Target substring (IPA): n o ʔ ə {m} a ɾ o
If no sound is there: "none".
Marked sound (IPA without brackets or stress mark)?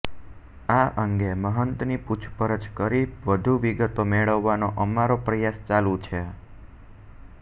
m